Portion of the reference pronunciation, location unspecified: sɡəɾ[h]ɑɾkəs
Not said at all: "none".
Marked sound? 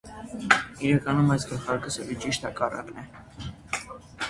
χ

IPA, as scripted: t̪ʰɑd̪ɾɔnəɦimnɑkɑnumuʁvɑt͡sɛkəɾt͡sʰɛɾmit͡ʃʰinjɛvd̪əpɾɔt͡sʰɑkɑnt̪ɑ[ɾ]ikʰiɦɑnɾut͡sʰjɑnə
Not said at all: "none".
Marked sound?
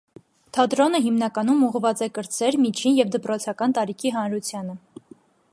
ɾ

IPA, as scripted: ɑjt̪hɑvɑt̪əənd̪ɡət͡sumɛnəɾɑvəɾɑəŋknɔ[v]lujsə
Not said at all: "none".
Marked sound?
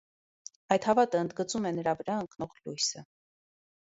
ʁ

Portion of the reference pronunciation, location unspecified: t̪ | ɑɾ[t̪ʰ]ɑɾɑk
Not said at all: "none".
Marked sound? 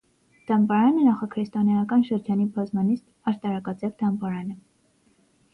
t̪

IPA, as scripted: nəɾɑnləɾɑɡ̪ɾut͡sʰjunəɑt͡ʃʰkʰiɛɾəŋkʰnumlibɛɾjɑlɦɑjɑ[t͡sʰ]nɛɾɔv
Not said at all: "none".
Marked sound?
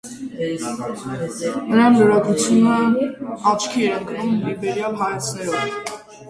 t͡sʰ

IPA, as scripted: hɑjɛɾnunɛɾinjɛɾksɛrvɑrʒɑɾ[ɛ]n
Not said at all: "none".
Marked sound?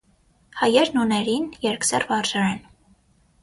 ɛ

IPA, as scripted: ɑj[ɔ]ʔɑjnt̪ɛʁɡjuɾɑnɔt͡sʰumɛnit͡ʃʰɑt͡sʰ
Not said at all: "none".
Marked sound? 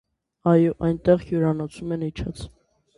ɔ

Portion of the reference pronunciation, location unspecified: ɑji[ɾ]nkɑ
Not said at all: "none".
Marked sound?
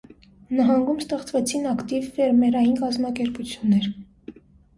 none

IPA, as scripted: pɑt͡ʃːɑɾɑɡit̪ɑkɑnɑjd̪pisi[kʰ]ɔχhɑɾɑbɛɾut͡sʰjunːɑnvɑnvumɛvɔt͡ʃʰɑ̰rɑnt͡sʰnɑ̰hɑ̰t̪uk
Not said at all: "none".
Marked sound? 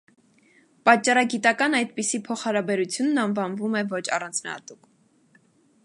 pʰ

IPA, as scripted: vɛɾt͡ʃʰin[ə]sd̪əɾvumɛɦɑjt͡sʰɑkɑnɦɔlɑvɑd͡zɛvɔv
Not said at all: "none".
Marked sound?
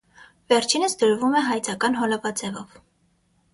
ə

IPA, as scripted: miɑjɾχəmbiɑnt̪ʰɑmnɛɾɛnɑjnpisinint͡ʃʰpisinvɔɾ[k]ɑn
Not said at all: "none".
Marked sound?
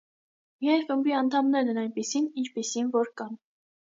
k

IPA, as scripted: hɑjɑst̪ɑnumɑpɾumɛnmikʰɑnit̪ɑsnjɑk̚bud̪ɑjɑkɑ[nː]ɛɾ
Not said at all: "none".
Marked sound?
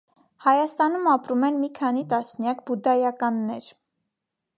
nː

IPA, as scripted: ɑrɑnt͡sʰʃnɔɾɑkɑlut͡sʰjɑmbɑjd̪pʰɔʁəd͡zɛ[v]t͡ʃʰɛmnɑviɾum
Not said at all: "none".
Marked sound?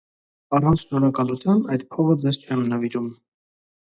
z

